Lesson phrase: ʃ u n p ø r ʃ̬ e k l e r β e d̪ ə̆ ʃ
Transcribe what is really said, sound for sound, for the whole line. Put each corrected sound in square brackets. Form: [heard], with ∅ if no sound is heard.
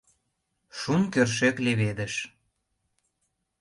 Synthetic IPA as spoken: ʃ u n [k] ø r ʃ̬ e k l e [∅] β e d̪ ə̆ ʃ